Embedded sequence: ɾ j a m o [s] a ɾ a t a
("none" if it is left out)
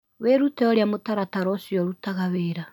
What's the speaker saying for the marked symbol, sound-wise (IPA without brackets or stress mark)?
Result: t